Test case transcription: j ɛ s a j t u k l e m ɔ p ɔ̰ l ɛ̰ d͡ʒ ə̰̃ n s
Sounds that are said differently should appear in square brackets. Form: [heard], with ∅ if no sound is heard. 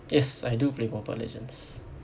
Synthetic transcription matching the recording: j ɛ s a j [d] u [p] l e m ɔ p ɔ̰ l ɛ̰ d͡ʒ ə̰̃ n s